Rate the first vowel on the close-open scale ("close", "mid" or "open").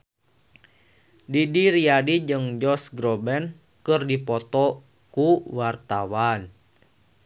close